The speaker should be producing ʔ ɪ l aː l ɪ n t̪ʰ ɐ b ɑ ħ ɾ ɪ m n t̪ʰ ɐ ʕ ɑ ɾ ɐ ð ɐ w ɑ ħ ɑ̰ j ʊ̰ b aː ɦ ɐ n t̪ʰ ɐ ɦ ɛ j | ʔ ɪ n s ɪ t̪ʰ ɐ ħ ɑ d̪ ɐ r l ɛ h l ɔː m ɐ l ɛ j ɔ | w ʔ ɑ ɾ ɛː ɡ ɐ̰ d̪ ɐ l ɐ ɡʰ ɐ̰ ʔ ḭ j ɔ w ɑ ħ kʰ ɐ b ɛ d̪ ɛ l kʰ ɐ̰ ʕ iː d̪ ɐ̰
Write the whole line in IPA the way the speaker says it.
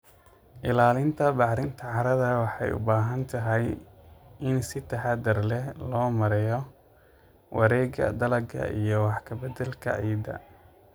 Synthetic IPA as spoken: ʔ ɪ l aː l ɪ n t̪ʰ ɐ b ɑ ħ ɾ ɪ n t̪ʰ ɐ ʕ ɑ ɾ ɐ ð ɐ w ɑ ħ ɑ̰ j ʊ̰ b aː ɦ ɐ n t̪ʰ ɐ ɦ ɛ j | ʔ ɪ n s ɪ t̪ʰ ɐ ħ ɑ d̪ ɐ r l ɛ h l ɔː m ɐ ɾ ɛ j ɔ | w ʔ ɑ ɾ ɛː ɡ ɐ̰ d̪ ɐ l ɐ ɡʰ ɐ̰ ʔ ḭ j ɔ w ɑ ħ kʰ ɐ b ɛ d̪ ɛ l kʰ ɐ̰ ʕ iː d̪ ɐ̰